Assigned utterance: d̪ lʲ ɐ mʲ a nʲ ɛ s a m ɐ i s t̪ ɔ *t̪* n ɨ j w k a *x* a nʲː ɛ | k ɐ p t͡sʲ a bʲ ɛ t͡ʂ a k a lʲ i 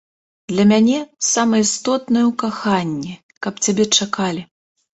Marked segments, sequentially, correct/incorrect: correct, correct

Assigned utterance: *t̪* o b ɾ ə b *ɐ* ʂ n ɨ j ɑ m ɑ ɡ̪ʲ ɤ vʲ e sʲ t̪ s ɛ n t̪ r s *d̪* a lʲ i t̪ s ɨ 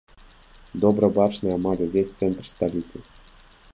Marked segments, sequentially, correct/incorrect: incorrect, incorrect, incorrect

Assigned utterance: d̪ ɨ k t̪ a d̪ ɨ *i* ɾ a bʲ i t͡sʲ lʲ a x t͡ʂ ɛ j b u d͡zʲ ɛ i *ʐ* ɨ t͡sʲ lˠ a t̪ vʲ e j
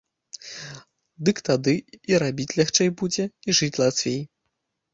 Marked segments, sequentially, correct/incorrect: correct, correct

